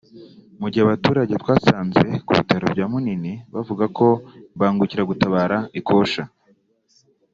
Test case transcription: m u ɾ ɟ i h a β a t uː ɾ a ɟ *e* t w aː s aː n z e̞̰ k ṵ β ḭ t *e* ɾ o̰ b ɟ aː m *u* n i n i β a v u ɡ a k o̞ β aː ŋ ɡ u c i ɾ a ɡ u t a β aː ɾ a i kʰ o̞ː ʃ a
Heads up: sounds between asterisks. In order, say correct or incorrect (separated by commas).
correct, incorrect, correct